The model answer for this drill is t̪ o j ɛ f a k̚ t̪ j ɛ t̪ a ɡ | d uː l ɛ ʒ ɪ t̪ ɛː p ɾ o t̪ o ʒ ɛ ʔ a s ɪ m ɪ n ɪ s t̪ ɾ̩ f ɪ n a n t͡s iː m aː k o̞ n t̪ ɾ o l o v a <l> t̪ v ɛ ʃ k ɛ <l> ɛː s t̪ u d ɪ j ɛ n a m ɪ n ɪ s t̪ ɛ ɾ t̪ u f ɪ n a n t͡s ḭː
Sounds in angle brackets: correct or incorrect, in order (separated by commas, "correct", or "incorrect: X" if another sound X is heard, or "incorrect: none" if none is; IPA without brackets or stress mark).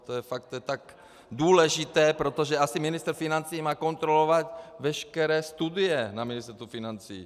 incorrect: none, incorrect: ɾ